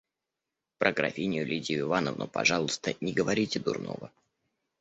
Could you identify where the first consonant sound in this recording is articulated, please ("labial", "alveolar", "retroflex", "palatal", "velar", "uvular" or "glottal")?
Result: labial